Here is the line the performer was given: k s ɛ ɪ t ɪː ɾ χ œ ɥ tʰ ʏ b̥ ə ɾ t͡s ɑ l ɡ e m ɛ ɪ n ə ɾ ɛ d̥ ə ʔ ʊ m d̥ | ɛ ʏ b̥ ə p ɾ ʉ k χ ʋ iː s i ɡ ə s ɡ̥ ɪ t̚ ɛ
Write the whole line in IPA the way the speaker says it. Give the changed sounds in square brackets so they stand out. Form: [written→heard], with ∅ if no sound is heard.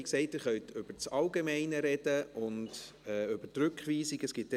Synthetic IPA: k s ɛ ɪ t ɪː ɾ χ œ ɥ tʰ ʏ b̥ ə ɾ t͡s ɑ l ɡ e m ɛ ɪ n ə ɾ ɛ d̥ ə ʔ ʊ [m→n] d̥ | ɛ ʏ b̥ ə [p→t] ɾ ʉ k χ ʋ iː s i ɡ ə s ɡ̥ ɪ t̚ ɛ